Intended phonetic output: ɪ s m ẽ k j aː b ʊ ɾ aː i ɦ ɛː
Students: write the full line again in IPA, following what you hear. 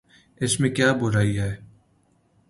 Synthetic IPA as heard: ɪ s m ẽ k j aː b ʊ ɾ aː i ɦ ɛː

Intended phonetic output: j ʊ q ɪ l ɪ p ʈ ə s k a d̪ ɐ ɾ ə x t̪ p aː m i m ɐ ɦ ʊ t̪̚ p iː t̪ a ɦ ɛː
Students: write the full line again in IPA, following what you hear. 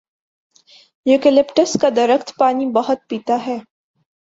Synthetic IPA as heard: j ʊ k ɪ l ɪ p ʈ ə s k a d̪ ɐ ɾ ə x t̪ p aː n i b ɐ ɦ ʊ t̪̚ p iː t̪ a ɦ ɛː

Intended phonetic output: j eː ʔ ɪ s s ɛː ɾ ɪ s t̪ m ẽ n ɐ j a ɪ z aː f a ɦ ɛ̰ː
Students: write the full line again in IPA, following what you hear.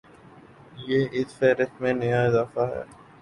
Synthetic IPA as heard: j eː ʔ ɪ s f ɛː ɾ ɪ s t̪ m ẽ n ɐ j a ɪ z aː f a ɦ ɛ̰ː

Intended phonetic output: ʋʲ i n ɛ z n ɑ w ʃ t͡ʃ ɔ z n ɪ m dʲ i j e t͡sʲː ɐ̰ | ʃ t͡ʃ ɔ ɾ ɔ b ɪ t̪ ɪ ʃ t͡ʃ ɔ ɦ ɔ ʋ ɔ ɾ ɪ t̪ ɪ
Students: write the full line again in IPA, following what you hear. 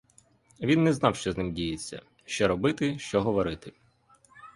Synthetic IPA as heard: ʋʲ i nː ɛ z n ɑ w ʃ t͡ʃ ɔ z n ɪ m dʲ i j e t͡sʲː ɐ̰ | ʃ t͡ʃ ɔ ɾ ɔ b ɪ t̪ ɪ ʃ t͡ʃ ɔ ɦ ɔ ʋ ɔ ɾ ɪ t̪ ɪ

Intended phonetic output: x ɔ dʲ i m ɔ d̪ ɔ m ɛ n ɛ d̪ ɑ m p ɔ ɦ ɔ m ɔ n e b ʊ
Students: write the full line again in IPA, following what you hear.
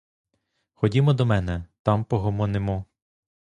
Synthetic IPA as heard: x ɔ dʲ i m ɔ d̪ ɔ m ɛ n ɛ t̪ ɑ m p ɔ ɦ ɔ m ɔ n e m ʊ

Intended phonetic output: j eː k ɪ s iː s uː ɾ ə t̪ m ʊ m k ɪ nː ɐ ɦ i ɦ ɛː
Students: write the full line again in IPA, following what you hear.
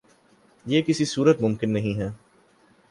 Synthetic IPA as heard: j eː k ɪ s i s uː ɾ ə t̪ m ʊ m k ɪ nː ɐ ɦ ĩ ɦ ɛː

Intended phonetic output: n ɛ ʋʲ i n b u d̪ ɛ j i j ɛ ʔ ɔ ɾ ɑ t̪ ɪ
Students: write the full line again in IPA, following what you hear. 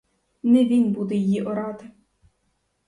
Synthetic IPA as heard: n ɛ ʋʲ i n b u d̪ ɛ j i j i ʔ ɔ ɾ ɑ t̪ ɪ

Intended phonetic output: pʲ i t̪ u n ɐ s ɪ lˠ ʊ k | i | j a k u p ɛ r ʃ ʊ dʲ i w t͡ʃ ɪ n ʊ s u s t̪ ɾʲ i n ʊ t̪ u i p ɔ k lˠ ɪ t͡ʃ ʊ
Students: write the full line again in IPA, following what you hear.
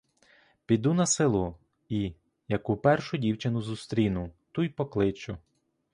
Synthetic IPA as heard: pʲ i d̪ u n ɐ s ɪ lˠ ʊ | i | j ɐ k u p ɛ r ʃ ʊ dʲ i w t͡ʃ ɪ n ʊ z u s t̪ ɾʲ i n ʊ t̪ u j p ɔ k lˠ ɪ t͡ʃ ʊ

